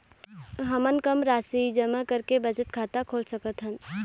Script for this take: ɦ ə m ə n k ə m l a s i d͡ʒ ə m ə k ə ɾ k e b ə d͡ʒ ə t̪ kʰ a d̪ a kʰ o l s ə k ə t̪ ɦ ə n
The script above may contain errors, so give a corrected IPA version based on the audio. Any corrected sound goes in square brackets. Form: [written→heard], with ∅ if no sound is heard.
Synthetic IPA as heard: ɦ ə m ə n k ə m [l→ɾ] a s i d͡ʒ ə m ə k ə ɾ k e b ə d͡ʒ ə t̪ kʰ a [d̪→t̪] a kʰ o l s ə k ə t̪ ɦ ə n